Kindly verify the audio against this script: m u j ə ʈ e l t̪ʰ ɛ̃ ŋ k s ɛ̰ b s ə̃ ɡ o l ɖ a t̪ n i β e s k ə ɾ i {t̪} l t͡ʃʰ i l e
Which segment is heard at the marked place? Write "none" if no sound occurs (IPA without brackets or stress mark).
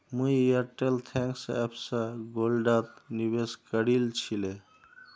none